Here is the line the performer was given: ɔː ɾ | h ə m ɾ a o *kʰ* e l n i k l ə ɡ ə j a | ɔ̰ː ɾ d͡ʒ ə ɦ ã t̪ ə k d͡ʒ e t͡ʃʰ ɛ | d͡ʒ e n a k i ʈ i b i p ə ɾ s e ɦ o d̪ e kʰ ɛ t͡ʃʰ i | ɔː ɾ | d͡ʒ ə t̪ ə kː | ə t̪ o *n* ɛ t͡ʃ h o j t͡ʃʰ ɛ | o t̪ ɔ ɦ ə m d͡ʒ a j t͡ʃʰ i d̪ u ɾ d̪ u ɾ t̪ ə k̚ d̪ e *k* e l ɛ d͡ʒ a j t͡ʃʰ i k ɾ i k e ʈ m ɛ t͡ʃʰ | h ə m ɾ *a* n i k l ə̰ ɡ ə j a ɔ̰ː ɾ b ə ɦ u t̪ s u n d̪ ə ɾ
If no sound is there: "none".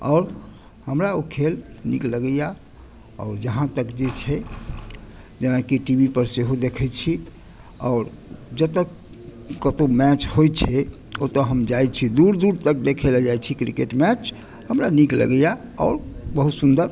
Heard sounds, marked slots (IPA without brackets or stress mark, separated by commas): kʰ, m, kʰ, a